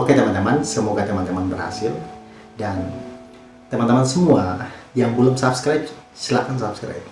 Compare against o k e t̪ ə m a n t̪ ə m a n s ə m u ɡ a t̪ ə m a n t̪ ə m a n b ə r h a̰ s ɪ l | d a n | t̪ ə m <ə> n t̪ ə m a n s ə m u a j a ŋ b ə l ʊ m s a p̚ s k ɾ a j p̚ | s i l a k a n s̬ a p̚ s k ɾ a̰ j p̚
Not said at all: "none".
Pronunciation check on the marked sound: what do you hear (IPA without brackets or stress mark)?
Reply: a